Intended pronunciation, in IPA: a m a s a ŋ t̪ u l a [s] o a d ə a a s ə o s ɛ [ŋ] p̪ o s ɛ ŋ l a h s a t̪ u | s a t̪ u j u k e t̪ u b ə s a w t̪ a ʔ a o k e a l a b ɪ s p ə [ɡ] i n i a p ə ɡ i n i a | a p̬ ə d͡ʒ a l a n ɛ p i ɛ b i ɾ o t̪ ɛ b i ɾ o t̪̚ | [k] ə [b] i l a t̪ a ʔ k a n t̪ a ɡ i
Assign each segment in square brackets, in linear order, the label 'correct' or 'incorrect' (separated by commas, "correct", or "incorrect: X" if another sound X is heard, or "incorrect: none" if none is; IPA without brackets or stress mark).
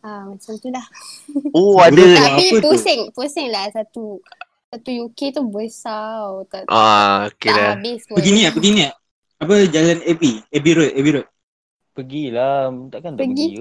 incorrect: h, correct, correct, incorrect: p, incorrect: ɡ